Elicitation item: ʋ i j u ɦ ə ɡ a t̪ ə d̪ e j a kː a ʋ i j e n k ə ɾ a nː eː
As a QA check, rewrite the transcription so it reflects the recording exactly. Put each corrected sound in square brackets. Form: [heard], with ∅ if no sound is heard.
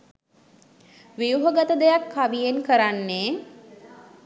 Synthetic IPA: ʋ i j u ɦ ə ɡ a t̪ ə d̪ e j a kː a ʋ i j e n k ə ɾ a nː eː